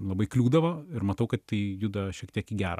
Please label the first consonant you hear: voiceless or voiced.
voiced